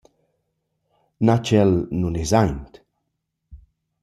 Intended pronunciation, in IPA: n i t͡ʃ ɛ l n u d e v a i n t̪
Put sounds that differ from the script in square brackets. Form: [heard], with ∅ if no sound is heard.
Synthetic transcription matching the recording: n [a] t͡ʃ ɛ l n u [n] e [z] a [j] n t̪